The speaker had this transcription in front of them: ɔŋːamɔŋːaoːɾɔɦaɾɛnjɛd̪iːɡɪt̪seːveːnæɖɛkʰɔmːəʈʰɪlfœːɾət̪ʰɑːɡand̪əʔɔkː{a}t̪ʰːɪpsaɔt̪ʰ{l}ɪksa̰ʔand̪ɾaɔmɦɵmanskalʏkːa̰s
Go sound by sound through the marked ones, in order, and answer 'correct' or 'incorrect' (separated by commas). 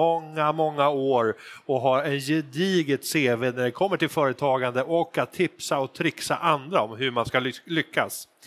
correct, incorrect